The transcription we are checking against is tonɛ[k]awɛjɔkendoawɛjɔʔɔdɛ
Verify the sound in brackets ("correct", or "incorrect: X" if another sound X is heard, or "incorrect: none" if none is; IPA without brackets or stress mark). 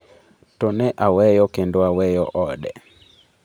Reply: incorrect: ʔ